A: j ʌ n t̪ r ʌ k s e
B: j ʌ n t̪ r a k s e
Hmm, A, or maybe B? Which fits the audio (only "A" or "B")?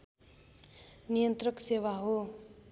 A